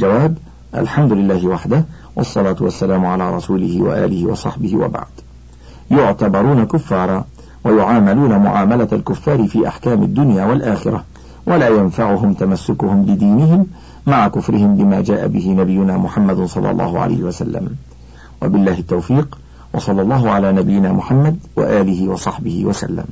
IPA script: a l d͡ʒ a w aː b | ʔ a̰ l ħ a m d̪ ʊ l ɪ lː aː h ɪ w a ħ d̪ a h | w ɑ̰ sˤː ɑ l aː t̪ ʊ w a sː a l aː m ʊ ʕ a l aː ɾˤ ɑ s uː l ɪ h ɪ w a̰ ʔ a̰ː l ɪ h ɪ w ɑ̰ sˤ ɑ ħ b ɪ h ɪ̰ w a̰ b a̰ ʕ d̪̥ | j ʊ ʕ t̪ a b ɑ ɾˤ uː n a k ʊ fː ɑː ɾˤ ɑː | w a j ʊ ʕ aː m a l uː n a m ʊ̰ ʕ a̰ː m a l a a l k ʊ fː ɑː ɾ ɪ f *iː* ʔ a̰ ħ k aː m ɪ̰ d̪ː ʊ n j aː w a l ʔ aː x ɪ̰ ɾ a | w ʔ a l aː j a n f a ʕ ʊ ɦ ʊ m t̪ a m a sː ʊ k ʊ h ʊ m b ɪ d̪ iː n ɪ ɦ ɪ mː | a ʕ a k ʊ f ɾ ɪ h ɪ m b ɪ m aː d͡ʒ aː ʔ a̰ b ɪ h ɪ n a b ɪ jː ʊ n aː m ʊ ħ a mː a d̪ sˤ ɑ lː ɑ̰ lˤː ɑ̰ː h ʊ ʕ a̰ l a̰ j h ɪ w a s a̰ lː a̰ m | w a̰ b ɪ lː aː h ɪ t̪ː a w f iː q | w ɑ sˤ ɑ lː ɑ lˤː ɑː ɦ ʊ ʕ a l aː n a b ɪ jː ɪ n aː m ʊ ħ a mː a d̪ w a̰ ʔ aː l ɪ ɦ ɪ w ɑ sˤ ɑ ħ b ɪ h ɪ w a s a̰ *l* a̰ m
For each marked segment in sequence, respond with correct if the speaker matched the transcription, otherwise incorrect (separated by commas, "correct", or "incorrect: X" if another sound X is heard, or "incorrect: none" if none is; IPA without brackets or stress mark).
correct, incorrect: lː